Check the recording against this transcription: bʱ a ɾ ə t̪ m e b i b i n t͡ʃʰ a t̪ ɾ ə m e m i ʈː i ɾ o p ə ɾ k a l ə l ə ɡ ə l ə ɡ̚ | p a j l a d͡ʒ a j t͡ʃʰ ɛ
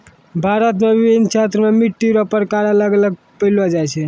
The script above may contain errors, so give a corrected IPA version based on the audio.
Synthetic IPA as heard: bʱ a ɾ ə t̪ m e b i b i n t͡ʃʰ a t̪ ɾ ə m e m i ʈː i ɾ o p ə ɾ k a ɾ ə l ə ɡ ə l ə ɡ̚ | p ə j l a d͡ʒ a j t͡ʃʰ ɛ